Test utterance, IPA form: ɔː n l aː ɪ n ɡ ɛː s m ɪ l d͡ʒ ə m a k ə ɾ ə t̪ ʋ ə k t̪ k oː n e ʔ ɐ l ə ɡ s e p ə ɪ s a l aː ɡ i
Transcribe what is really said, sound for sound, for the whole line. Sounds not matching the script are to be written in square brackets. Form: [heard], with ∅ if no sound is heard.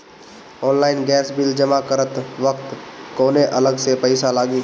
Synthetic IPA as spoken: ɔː n l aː ɪ n ɡ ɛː s [b] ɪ l d͡ʒ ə m a k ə ɾ ə t̪ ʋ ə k t̪ k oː n e ʔ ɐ l ə ɡ s e p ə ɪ s a l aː ɡ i